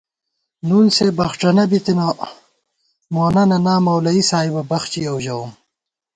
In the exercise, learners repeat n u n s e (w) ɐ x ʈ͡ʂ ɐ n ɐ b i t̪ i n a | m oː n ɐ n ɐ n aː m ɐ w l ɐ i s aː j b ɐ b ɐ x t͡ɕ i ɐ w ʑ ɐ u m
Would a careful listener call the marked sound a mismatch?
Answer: yes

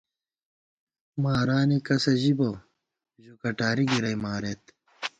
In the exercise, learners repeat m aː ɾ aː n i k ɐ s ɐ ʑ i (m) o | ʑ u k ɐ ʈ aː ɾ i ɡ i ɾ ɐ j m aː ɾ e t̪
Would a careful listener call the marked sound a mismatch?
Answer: yes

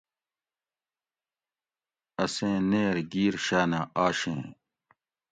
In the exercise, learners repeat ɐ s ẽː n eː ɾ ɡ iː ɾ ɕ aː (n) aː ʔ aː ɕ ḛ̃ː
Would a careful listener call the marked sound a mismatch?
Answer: no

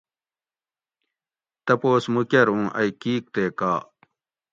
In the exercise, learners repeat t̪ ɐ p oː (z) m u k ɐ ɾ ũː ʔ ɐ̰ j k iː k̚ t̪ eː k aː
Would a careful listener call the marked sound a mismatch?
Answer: yes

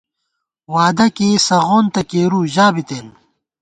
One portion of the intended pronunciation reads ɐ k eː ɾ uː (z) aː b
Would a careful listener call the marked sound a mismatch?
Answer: yes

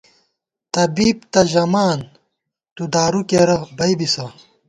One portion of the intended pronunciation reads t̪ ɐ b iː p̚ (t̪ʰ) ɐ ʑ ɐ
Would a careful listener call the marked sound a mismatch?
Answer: yes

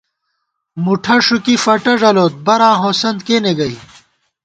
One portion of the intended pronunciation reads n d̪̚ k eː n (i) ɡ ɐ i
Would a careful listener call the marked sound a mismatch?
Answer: yes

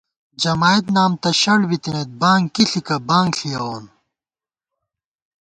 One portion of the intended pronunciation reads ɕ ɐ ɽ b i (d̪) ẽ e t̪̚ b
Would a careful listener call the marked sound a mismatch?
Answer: yes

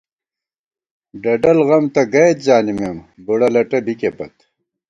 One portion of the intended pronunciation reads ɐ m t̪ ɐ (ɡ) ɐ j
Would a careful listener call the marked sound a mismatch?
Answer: no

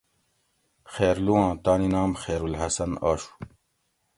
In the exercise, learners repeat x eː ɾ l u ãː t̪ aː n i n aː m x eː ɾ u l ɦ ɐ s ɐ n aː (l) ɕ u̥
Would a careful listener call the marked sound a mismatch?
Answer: yes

